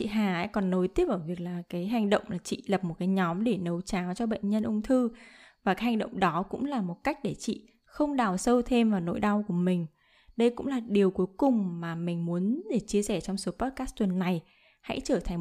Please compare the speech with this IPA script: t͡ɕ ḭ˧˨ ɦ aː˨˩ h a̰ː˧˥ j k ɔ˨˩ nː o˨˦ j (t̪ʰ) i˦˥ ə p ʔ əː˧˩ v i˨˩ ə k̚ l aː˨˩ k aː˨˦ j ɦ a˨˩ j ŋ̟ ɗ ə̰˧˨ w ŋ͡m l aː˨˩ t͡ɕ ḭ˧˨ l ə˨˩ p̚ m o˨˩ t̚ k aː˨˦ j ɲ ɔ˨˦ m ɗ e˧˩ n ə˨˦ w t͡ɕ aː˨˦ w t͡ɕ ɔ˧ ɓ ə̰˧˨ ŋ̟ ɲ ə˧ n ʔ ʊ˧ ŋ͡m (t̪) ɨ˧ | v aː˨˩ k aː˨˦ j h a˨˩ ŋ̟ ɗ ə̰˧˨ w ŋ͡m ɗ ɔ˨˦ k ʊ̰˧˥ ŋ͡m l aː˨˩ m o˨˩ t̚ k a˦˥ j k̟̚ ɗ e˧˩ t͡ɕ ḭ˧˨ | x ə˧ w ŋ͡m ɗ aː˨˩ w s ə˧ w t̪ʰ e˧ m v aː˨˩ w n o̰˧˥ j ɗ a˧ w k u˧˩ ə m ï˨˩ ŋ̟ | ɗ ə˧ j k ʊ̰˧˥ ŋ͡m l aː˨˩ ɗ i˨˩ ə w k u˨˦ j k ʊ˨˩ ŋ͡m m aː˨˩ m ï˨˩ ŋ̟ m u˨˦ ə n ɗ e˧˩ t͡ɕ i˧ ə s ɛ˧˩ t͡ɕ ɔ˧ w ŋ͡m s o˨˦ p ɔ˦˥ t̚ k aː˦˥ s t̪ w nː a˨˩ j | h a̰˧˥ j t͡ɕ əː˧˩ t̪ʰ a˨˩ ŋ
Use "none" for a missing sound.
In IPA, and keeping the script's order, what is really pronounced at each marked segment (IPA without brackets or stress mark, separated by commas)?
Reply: t̪, t̪ʰ